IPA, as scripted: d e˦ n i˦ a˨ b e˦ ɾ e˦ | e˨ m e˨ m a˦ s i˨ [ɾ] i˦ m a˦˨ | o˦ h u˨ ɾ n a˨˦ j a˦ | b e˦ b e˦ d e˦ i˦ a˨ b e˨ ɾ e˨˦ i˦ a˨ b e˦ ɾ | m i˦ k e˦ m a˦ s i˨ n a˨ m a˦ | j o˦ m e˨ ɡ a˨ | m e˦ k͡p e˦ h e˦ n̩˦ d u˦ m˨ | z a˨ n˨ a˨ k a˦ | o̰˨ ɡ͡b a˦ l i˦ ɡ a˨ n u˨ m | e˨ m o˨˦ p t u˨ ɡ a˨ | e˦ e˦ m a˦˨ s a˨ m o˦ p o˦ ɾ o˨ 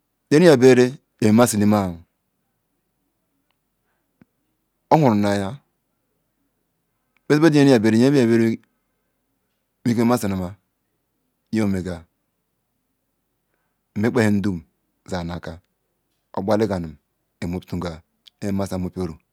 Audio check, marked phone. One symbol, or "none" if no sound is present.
l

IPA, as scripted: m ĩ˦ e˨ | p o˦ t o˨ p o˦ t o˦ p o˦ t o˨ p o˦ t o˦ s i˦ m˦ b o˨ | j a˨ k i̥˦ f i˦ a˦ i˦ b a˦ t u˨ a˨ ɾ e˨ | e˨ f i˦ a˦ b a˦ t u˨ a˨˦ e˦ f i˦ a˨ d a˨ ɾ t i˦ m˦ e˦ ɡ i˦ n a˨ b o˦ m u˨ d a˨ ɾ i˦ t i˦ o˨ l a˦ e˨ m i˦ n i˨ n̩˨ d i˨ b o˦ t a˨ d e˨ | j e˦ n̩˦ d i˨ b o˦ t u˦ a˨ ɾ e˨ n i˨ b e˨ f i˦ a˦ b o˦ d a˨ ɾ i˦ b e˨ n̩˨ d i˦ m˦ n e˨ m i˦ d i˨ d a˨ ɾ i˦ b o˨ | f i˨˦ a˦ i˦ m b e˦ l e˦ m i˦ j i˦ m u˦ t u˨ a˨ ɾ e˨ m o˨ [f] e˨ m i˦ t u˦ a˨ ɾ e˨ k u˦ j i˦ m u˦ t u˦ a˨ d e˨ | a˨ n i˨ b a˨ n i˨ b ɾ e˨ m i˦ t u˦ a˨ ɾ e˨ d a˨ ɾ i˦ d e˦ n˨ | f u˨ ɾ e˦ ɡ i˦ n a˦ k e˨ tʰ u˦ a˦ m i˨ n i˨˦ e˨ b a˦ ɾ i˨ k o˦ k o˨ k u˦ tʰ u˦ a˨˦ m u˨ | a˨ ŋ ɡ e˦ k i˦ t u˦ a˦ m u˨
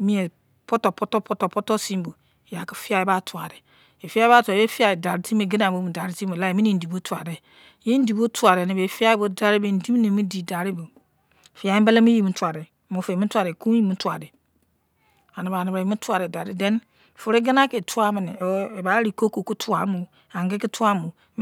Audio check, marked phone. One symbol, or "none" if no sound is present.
f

